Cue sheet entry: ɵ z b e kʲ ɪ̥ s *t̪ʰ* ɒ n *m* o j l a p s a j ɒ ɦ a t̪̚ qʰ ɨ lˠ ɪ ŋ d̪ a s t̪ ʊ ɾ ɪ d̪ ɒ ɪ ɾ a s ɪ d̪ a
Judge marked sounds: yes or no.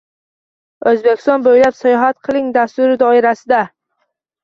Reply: no, no

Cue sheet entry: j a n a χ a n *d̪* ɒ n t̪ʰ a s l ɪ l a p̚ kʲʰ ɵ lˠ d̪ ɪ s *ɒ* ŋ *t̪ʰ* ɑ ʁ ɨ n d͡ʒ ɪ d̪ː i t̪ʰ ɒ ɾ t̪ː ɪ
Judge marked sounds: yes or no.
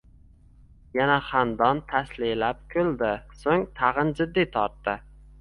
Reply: yes, no, yes

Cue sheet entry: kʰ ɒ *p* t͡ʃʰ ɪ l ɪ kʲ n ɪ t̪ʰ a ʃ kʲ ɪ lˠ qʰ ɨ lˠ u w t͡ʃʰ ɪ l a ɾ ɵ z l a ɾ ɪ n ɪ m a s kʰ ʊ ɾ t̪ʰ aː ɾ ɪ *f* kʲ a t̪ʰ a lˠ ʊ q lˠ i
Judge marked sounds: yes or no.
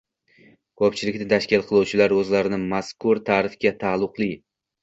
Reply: yes, yes

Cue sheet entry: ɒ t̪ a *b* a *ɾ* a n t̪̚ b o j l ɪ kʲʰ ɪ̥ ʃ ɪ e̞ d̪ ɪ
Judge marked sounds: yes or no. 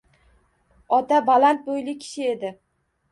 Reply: yes, no

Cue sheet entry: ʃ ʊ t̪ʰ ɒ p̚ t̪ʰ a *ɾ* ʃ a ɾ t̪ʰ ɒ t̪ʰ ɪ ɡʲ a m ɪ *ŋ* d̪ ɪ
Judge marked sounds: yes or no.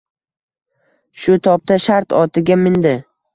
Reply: no, no

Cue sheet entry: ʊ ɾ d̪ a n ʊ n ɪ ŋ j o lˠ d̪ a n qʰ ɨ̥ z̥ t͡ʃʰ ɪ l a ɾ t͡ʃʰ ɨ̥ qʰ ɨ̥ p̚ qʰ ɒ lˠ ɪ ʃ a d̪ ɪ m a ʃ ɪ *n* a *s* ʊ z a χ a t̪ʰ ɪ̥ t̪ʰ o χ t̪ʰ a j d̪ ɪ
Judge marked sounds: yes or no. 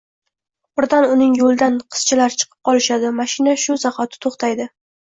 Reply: yes, no

